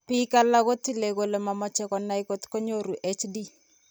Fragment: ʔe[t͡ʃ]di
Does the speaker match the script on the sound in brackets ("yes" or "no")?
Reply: yes